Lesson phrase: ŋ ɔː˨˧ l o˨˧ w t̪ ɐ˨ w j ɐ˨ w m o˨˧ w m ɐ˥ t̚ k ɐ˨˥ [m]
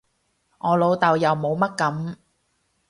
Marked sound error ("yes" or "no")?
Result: no